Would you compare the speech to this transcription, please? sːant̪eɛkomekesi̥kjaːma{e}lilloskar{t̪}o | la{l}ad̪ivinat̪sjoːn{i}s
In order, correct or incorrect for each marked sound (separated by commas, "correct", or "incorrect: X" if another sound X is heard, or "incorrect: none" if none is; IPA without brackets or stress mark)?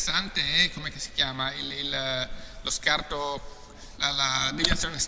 incorrect: i, correct, correct, incorrect: e